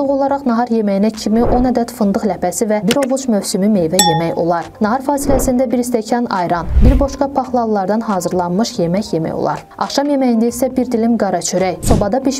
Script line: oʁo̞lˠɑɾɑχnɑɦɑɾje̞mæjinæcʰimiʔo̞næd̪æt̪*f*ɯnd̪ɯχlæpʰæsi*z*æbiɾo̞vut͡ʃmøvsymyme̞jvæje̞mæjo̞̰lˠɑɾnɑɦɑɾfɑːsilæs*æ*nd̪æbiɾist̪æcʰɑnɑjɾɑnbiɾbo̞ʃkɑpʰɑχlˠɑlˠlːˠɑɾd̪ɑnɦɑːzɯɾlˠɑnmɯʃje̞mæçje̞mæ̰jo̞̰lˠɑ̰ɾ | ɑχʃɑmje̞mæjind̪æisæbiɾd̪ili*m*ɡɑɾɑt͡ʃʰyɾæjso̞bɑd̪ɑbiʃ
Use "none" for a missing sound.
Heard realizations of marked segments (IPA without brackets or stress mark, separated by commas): f, v, i, m